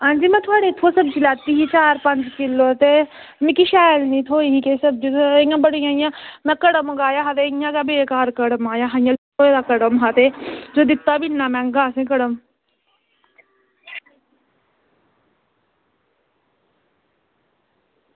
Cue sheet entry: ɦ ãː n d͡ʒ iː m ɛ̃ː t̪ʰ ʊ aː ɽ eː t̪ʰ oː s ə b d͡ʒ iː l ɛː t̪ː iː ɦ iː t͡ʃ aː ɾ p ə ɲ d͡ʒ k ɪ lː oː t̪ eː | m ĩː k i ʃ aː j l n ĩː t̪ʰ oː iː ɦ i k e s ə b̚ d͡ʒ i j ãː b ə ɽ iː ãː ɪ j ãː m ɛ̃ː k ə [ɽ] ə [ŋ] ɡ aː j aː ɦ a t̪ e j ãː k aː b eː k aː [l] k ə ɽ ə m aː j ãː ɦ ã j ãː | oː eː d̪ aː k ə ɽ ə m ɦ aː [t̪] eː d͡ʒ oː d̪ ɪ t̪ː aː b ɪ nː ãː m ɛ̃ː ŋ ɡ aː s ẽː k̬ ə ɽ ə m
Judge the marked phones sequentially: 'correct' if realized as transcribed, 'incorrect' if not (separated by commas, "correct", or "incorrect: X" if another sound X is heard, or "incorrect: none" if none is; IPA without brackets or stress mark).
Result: correct, incorrect: m, incorrect: ɾ, correct